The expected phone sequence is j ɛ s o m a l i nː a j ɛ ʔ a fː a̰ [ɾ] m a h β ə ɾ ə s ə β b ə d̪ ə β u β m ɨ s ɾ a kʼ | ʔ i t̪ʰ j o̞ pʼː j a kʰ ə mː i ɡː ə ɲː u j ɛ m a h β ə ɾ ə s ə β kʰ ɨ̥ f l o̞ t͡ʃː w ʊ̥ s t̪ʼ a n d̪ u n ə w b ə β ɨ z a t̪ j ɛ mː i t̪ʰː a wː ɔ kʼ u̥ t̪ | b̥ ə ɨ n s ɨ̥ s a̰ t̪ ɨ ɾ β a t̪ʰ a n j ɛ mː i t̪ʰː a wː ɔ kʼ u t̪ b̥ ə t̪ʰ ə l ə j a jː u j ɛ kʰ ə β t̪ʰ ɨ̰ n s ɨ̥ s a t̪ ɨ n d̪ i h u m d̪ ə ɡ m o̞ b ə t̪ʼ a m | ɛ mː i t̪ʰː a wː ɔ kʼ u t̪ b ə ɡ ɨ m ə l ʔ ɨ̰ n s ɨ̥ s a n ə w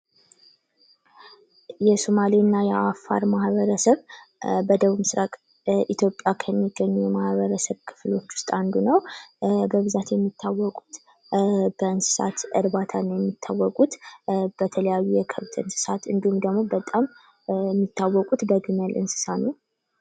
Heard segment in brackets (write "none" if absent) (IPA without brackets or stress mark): ɾ